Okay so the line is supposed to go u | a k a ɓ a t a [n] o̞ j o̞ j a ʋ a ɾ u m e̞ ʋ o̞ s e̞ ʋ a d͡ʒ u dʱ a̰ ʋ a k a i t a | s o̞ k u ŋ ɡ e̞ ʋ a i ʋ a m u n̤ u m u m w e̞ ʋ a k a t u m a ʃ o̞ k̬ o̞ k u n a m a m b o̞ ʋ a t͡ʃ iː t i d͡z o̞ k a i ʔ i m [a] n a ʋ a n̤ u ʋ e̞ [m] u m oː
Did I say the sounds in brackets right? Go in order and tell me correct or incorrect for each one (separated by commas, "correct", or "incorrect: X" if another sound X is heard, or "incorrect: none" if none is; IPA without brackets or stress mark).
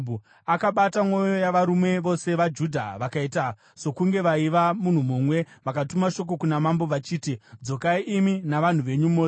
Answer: incorrect: m, incorrect: i, incorrect: ɲ